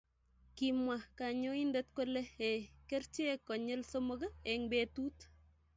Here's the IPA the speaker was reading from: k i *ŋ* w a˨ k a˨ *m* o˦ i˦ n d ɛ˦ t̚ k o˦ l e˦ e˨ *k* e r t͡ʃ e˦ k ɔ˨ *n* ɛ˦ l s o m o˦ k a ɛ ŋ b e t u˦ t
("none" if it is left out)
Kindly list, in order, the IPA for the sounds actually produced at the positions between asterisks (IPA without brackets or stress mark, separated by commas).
m, ɲ, k, ɲ